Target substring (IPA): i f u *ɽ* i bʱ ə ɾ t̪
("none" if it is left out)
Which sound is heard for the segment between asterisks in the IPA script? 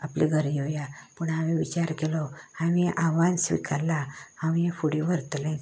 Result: ɽ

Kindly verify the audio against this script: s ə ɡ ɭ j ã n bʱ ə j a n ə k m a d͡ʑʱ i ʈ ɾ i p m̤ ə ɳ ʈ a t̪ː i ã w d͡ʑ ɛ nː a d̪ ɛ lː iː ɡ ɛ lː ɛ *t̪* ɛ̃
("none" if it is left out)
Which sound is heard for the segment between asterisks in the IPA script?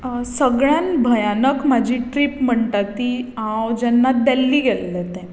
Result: t̪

